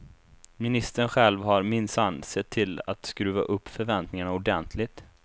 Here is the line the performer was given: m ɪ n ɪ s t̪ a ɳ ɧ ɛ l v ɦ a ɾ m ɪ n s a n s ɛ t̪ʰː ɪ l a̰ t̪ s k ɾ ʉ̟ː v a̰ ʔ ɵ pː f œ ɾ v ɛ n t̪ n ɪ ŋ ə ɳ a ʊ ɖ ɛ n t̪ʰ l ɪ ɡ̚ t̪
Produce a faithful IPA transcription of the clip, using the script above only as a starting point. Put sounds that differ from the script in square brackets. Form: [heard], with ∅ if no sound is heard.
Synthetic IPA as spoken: m ɪ n ɪ s t̪ [ə] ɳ ɧ ɛ l v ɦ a ɾ m ɪ n s a n s ɛ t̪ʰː ɪ l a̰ t̪ s k ɾ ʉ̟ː v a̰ ʔ ɵ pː f œ ɾ v ɛ n t̪ n ɪ ŋ [a] ɳ a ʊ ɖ ɛ n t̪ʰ l ɪ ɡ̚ t̪